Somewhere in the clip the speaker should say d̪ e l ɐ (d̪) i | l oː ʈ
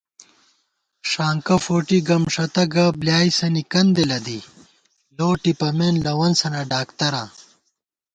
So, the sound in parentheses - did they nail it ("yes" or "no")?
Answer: yes